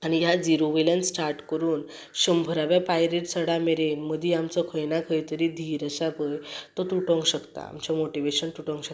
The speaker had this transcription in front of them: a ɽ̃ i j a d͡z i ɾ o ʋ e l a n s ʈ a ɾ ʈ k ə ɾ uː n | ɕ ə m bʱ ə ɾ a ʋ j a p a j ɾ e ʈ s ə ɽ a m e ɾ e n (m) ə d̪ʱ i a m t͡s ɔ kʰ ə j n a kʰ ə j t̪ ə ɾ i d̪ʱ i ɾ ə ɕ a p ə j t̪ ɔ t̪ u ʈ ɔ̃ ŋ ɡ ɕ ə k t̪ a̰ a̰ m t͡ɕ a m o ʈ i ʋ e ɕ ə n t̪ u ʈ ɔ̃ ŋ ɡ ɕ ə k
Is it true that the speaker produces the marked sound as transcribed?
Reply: yes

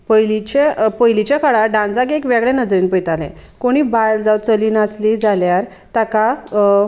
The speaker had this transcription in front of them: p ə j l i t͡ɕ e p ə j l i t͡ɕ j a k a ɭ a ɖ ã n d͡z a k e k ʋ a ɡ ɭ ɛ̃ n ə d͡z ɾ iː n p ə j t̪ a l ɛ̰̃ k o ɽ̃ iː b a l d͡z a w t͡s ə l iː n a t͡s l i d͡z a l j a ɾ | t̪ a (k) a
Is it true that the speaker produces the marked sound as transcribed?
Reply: yes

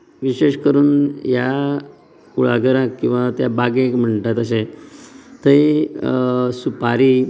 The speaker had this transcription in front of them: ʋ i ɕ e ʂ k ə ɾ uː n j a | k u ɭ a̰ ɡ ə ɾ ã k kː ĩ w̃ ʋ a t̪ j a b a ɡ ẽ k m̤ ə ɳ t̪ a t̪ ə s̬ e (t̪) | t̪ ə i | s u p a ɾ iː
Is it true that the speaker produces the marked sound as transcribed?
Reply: no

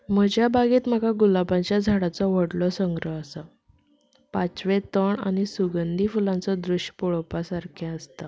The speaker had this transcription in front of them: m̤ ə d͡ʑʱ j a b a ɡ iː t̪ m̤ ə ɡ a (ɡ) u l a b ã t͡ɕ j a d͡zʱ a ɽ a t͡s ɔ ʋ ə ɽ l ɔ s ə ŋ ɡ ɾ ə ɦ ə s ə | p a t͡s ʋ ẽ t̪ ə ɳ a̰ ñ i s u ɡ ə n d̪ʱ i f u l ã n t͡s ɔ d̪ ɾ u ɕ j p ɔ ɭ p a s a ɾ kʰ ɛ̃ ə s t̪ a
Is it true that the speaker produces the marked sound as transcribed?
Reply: yes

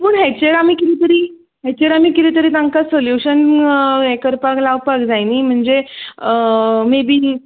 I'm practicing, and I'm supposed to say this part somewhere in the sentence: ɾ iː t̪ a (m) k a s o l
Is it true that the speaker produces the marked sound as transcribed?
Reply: no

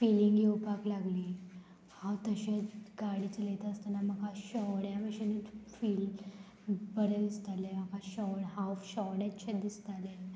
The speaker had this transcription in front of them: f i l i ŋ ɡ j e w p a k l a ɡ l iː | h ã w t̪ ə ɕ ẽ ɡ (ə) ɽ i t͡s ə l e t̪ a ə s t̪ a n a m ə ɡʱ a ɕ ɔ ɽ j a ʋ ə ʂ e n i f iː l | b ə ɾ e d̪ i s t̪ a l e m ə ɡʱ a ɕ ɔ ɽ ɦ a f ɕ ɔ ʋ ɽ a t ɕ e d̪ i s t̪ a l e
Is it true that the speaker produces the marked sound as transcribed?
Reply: no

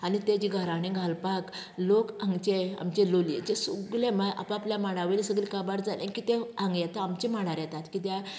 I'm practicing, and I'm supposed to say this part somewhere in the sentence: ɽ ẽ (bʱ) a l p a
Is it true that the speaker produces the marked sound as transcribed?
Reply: no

